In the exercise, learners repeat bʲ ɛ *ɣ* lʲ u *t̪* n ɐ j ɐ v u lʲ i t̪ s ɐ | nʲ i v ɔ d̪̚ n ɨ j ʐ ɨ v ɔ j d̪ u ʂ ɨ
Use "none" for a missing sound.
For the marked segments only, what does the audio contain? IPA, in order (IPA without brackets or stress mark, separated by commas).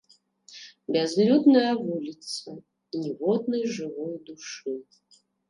z, d̪